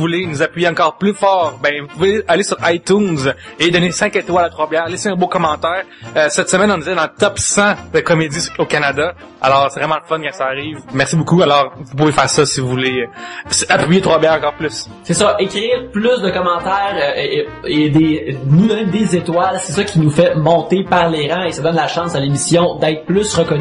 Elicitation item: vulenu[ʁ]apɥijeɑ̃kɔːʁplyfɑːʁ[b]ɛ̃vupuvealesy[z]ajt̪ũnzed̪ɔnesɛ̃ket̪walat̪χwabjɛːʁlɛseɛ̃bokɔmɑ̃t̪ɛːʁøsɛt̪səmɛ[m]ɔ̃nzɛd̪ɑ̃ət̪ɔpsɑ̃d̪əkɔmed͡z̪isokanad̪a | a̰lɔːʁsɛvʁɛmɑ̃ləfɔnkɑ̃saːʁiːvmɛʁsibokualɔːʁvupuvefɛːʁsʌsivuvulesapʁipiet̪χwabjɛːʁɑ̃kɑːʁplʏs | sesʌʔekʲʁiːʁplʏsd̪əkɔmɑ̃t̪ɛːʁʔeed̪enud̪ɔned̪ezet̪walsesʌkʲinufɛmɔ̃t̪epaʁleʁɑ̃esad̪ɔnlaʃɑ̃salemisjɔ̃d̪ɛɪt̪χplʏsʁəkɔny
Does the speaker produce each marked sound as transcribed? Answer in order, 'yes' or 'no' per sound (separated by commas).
no, yes, no, no